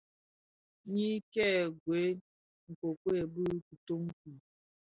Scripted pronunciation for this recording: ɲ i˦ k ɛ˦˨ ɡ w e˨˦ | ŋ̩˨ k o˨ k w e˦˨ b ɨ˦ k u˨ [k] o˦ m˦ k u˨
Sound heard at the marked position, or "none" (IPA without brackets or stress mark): t